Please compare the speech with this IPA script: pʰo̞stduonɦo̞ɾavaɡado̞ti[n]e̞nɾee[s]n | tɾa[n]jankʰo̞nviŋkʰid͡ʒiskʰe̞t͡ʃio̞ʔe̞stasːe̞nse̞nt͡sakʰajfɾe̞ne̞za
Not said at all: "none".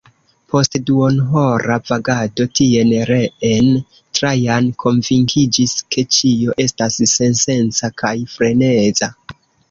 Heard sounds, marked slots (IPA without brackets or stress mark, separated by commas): none, none, none